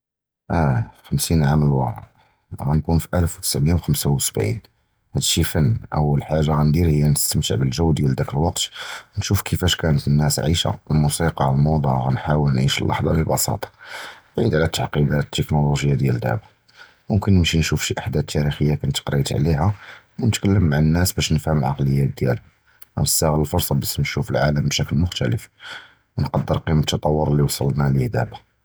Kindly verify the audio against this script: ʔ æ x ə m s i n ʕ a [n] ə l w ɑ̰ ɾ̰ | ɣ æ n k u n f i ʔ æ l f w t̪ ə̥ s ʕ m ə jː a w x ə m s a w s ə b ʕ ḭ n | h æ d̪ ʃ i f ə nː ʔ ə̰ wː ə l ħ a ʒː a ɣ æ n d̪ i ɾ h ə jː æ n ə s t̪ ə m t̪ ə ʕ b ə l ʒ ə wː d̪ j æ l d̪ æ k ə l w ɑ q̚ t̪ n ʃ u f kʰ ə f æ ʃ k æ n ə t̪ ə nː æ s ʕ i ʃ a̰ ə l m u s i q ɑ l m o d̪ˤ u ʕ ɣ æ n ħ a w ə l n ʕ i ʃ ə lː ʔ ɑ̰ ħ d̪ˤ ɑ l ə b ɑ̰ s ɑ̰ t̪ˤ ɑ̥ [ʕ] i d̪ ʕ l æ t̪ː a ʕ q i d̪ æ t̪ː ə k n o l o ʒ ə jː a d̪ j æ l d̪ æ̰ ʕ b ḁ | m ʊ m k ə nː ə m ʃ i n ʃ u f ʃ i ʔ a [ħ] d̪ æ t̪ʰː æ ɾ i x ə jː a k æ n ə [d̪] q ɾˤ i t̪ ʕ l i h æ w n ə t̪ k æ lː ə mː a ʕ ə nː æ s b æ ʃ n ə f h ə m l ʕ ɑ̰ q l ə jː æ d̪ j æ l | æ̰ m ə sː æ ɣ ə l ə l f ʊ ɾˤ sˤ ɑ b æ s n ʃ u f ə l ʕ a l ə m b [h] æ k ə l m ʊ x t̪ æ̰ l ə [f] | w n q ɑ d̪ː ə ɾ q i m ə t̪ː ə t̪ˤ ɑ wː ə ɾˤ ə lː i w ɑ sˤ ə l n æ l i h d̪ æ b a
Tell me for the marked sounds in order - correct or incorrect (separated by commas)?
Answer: incorrect, correct, correct, incorrect, incorrect, correct